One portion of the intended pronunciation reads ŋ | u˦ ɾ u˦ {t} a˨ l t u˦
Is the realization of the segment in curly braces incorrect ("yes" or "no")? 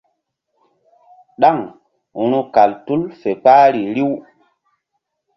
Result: yes